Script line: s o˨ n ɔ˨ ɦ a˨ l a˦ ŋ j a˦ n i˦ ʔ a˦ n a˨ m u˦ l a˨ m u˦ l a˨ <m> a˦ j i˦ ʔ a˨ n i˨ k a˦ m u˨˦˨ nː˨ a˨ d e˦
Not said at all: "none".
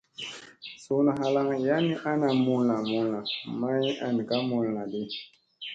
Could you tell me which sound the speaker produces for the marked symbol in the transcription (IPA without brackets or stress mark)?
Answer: m